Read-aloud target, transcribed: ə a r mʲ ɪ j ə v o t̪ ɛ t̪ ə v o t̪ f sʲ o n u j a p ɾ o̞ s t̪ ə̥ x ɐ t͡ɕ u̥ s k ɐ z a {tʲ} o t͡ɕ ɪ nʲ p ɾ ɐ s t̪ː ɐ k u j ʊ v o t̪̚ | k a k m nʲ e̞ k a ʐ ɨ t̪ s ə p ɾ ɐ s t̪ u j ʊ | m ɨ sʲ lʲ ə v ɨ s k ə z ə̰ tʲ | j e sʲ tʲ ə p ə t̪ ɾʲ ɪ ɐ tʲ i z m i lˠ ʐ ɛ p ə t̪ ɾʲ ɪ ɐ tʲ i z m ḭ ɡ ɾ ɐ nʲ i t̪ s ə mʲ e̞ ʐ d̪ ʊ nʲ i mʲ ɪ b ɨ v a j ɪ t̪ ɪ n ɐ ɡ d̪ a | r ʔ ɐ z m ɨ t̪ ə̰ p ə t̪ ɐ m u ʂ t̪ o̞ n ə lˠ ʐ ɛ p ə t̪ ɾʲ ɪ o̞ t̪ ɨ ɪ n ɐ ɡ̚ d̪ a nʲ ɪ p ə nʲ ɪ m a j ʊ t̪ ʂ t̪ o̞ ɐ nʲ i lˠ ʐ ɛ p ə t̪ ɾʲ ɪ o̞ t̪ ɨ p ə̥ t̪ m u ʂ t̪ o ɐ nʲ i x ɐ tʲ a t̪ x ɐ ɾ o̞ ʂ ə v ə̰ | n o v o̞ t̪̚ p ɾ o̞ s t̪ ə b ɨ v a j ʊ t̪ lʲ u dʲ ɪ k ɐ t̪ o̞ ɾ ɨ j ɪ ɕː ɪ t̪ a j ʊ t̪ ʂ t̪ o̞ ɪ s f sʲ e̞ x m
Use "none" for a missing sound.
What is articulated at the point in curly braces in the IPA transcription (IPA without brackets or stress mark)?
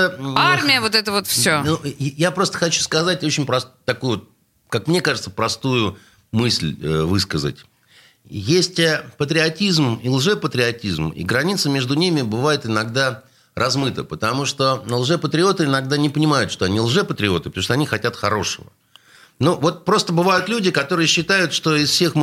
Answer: tʲ